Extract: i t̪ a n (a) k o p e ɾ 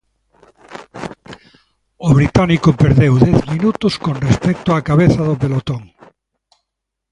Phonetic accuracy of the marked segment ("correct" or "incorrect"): incorrect